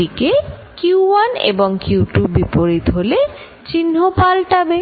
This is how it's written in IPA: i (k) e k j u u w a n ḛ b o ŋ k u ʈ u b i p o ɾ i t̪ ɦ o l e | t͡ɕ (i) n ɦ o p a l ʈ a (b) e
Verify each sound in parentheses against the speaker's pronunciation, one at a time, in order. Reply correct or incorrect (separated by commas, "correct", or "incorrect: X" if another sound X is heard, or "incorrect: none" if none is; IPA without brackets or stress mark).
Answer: correct, correct, correct